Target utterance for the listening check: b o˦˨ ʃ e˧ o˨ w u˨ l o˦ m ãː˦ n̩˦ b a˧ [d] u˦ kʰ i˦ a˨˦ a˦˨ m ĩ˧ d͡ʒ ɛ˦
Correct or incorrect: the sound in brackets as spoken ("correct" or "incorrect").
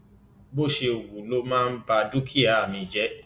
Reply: correct